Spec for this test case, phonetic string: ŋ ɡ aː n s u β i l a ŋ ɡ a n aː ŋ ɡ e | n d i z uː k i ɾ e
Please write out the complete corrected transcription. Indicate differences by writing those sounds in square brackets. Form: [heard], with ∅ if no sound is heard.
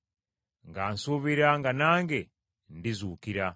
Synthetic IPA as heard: ŋ ɡ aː n s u β i [ɾ] a ŋ ɡ a n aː ŋ ɡ e | n d i z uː k i ɾ [a]